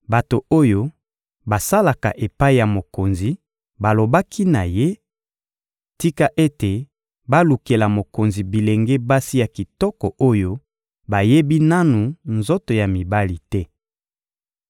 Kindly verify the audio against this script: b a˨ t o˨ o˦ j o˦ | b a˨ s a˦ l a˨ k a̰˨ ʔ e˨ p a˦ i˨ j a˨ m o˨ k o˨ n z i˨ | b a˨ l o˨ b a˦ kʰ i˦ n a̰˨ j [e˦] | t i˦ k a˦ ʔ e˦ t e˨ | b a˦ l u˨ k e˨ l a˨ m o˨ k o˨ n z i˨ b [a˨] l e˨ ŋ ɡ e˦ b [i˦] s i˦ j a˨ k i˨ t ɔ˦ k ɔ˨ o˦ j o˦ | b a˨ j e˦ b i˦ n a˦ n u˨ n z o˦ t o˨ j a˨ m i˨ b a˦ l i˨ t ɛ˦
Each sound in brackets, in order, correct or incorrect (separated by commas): correct, incorrect, incorrect